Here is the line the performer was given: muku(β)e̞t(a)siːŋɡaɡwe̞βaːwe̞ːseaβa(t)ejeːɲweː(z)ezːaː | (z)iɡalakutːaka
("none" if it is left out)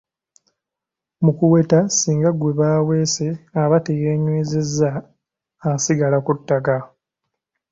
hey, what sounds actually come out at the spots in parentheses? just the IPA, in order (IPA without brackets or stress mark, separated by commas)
w, a, t, z, s